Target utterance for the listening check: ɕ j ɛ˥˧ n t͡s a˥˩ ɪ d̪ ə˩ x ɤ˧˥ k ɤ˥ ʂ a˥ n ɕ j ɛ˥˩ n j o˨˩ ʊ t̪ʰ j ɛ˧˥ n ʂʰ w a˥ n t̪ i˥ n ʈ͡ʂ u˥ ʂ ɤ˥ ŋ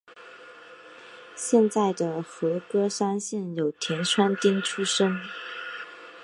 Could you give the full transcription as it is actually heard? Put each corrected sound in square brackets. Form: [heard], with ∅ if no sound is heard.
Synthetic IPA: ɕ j ɛ˥˧ n t͡s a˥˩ ɪ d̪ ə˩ x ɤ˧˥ k ɤ˥ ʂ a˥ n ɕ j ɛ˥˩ n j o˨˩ ʊ t̪ʰ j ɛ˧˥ n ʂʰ w a˥ n t̪ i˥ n [ʈ͡ʂʰ] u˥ ʂ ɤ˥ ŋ